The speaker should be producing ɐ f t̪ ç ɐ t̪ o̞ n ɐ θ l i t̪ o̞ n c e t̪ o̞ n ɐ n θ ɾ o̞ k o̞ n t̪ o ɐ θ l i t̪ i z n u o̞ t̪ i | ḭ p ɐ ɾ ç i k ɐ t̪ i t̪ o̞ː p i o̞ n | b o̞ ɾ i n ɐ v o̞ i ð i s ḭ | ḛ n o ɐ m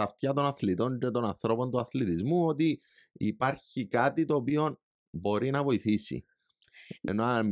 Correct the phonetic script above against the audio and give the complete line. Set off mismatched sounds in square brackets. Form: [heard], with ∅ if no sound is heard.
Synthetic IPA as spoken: ɐ f t̪ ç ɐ t̪ o̞ n ɐ θ l i t̪ o̞ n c e t̪ o̞ n ɐ n θ ɾ o̞ [p] o̞ n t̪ [u] ɐ θ l i t̪ i z [m] u o̞ t̪ i | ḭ p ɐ ɾ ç i k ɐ t̪ i t̪ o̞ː p i o̞ n | b o̞ ɾ i n ɐ v o̞ i [θ] i s ḭ | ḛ n o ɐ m